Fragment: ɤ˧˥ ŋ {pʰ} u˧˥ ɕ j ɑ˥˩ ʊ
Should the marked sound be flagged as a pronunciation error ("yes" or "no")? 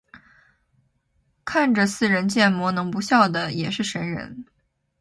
yes